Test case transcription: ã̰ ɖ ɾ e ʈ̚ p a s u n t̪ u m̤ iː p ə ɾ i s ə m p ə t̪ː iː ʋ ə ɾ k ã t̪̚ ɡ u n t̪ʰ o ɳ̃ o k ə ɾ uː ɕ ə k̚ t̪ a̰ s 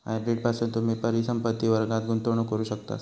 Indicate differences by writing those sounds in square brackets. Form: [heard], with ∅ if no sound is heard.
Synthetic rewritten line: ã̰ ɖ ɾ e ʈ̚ p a s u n t̪ u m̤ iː p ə ɾ i s ə m p ə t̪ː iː ʋ ə ɾ [ɡ] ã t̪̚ ɡ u n [t̪] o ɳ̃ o k ə ɾ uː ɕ ə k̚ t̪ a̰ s